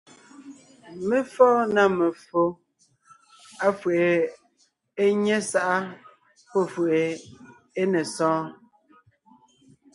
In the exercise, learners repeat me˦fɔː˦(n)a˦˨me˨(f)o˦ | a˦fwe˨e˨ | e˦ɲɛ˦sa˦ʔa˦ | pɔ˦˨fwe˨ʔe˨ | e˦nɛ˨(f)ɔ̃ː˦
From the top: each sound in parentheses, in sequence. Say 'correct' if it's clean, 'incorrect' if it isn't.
correct, correct, incorrect

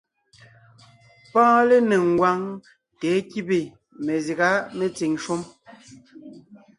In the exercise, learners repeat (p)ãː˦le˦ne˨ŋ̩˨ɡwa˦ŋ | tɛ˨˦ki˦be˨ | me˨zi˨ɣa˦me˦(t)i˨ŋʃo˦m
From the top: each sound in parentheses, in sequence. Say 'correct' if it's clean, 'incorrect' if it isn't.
correct, incorrect

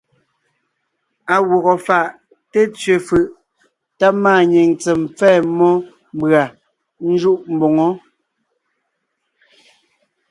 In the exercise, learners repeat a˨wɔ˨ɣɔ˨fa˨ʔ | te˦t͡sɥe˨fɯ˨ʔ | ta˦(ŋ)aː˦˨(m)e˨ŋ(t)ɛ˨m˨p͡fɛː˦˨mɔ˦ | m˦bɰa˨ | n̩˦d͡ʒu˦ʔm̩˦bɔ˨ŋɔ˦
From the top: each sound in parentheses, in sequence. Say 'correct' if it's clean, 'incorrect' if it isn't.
incorrect, incorrect, incorrect

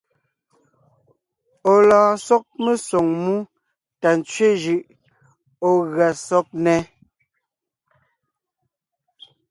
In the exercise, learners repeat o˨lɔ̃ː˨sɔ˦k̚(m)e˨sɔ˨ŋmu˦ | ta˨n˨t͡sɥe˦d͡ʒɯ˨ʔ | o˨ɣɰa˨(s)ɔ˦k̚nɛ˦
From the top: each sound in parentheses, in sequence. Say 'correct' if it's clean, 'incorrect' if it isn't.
correct, correct

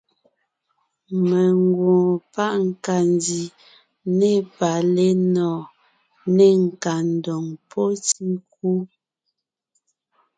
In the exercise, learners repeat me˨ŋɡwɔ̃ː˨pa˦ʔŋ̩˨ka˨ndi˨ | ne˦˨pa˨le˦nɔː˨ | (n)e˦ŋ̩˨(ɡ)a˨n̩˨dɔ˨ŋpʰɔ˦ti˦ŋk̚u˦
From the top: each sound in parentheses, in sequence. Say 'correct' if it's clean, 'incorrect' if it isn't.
correct, incorrect

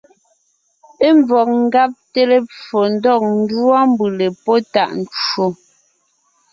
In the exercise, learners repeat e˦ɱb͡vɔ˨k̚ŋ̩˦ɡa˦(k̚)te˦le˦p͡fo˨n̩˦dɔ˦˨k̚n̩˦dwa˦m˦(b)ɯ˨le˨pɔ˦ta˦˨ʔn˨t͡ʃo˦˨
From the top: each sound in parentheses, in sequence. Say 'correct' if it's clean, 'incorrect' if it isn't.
incorrect, correct

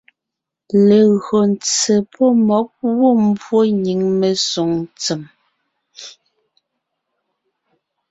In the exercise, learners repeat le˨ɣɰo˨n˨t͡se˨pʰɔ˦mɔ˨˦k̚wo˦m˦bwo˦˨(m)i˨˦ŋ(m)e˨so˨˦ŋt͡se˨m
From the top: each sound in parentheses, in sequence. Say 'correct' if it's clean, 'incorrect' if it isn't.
incorrect, correct

